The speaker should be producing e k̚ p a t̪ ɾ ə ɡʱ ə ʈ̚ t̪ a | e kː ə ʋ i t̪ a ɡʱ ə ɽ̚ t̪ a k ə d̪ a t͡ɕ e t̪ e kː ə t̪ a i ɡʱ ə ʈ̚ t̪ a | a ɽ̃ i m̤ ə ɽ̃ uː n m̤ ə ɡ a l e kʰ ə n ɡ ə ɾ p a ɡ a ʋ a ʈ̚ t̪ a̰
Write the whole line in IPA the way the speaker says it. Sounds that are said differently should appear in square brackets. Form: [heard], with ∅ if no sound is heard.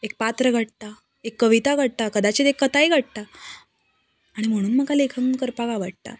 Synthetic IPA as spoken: e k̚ p a t̪ ɾ ə ɡʱ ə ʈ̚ t̪ a | e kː ə ʋ i t̪ a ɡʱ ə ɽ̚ t̪ a k ə d̪ a t͡ɕ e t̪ e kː ə t̪ a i ɡʱ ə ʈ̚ t̪ a | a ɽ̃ i m̤ ə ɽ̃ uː n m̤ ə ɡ a l e kʰ ə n [k] ə ɾ p a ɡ a ʋ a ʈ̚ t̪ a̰